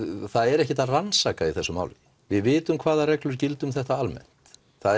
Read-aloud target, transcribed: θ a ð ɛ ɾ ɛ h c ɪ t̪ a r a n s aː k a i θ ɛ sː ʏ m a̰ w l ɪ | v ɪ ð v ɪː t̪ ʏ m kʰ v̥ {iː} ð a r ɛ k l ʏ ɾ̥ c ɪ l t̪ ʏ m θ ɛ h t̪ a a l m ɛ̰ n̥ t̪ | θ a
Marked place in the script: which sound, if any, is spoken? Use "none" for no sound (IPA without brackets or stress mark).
aː